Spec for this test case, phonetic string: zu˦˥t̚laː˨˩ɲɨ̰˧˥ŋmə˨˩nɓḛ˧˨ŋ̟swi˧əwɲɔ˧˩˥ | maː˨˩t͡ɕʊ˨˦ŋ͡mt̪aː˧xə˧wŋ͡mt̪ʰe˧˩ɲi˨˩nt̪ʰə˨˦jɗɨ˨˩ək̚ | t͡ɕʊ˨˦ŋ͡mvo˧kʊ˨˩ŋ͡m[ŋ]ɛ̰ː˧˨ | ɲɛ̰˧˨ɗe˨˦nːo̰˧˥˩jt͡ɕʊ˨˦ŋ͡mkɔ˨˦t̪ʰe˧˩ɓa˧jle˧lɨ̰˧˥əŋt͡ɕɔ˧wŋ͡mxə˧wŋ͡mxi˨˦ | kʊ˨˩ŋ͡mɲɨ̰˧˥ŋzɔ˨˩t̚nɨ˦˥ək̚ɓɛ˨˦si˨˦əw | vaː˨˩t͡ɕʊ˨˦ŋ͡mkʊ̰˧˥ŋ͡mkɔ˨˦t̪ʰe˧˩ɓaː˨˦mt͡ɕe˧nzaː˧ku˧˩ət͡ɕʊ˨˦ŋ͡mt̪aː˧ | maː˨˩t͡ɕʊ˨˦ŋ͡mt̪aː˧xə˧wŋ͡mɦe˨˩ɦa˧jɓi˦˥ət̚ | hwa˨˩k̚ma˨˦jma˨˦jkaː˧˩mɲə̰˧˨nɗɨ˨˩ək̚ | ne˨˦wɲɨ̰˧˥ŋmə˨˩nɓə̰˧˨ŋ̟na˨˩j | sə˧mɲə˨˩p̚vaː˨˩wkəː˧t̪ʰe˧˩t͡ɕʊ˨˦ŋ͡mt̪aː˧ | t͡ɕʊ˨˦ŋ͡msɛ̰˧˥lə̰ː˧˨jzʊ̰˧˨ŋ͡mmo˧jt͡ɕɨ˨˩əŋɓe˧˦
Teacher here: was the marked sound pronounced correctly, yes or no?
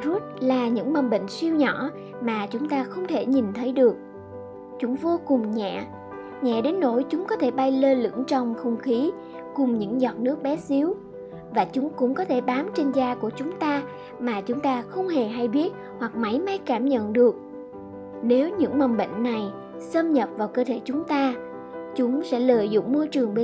no